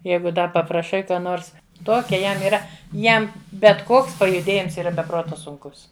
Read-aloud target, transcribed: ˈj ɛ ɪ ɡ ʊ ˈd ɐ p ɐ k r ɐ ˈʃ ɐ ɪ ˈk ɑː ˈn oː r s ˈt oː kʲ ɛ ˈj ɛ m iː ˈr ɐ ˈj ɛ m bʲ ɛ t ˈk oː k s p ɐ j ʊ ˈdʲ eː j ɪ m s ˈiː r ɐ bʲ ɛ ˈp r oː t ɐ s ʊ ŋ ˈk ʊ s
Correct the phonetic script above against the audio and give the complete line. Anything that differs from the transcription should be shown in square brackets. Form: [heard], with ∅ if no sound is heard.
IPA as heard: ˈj ɛ ɪ ɡ ʊ ˈd ɐ p ɐ [p] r ɐ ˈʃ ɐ ɪ ˈk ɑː ˈn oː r s ˈt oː kʲ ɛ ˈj ɛ m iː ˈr ɐ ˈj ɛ m bʲ ɛ t ˈk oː k s p ɐ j ʊ ˈdʲ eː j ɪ m s ˈiː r ɐ bʲ ɛ ˈp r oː t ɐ s ʊ ŋ ˈk ʊ s

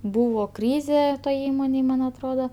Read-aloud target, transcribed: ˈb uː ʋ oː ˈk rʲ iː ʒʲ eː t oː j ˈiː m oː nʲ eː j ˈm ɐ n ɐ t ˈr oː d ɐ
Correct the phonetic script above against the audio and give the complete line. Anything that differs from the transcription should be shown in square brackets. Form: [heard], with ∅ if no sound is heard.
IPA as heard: ˈb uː ʋ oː ˈk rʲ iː [zʲ] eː t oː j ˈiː m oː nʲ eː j ˈm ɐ n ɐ t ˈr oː d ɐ

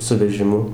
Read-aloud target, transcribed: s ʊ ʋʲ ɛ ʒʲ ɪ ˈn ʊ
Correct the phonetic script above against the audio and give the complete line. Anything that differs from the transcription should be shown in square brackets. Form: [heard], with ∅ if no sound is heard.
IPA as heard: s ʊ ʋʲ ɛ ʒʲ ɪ [ˈm] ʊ

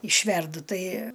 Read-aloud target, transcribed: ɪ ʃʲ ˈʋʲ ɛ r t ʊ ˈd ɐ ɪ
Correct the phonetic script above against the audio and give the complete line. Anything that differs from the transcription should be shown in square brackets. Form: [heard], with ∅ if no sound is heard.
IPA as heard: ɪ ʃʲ ˈʋʲ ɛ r [d] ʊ [ˈt] ɐ ɪ

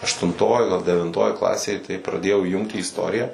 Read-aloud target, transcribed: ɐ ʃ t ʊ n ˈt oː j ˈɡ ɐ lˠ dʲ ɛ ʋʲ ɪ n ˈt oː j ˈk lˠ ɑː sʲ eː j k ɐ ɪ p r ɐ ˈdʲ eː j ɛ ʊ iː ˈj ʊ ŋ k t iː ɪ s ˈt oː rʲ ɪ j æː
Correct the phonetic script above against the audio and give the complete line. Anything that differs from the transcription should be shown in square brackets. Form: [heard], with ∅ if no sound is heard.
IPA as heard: ɐ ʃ t ʊ n ˈt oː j ˈɡ ɐ lˠ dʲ ɛ ʋʲ ɪ n ˈt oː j ˈk lˠ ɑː sʲ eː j [t] ɐ ɪ p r ɐ ˈdʲ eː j ɛ ʊ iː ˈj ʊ ŋ k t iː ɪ s ˈt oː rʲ ɪ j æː

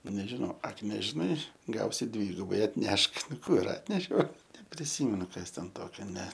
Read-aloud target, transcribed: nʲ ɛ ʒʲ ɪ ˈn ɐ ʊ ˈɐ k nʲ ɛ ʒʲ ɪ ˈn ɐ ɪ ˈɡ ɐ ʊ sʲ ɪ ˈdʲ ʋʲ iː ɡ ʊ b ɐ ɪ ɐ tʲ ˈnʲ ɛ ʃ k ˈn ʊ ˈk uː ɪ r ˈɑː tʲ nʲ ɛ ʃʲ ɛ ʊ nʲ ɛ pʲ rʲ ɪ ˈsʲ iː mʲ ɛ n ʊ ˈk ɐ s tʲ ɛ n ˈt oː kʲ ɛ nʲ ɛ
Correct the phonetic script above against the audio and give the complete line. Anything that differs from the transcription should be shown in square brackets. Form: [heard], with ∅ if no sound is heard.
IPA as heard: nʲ ɛ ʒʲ ɪ ˈn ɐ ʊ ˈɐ k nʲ ɛ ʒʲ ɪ ˈn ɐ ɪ ˈɡ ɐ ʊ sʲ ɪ ˈdʲ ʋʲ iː ɡ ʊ b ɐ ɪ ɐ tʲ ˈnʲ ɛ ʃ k ˈn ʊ ˈk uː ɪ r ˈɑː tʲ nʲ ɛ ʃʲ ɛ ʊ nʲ ɛ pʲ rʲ ɪ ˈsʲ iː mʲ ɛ n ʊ ˈk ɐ s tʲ ɛ n ˈt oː kʲ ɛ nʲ ɛ

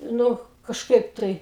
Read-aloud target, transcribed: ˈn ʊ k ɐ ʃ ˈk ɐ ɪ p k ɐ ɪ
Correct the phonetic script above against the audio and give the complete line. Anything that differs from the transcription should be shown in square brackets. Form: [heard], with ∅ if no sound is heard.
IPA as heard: ˈn ʊ k ɐ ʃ ˈk ɐ ɪ p [t] ɐ ɪ

